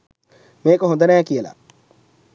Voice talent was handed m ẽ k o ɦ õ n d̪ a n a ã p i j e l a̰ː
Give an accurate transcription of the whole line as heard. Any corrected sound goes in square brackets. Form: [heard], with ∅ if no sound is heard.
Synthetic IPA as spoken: m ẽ k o ɦ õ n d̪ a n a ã [k] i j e l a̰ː